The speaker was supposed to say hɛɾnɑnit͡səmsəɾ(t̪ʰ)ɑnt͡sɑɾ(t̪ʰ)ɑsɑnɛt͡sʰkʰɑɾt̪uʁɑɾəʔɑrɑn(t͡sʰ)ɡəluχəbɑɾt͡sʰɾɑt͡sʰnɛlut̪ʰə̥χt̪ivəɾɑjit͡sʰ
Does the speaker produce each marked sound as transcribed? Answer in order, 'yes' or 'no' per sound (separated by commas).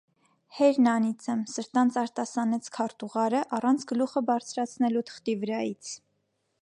no, no, yes